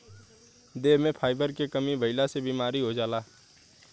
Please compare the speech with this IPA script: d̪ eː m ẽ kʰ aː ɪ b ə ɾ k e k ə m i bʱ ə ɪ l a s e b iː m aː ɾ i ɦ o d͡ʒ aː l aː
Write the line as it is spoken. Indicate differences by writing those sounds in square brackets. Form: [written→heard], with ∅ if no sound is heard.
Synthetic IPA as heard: d̪ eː m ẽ [kʰ→pʰ] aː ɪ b ə ɾ k e k ə m i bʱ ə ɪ l a s e b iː m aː ɾ i ɦ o d͡ʒ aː l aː